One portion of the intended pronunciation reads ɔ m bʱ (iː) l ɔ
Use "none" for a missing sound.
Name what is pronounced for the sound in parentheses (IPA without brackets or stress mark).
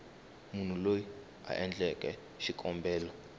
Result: ɛː